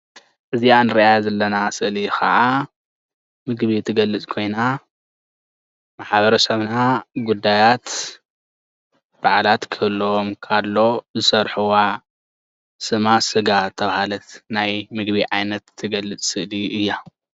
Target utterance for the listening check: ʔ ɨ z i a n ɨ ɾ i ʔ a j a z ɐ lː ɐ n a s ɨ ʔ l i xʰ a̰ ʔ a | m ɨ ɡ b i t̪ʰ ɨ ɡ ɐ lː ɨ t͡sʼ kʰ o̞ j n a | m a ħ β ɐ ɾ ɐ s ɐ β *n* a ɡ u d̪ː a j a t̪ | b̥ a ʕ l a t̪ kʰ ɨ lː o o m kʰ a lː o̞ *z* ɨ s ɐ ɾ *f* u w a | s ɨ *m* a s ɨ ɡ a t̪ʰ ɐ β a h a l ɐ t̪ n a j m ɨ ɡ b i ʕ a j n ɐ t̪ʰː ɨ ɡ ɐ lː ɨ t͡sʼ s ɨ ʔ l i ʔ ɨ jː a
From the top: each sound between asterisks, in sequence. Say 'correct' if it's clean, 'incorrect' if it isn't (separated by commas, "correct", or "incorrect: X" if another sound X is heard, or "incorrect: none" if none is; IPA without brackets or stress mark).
correct, correct, incorrect: ħ, correct